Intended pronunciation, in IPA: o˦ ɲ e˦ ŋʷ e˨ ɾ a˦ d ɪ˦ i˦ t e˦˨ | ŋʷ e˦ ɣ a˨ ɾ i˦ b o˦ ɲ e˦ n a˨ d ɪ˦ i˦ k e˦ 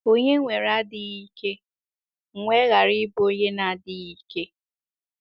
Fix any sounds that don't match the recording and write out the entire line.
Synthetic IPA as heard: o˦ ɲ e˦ ŋʷ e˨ ɾ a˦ d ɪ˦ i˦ k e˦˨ | ŋʷ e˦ ɣ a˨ ɾ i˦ b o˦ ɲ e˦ n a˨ d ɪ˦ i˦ k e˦